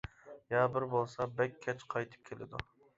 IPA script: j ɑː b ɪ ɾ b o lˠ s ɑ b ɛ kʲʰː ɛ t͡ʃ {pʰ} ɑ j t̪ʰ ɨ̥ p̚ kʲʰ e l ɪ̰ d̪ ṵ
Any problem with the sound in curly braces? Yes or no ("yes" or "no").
yes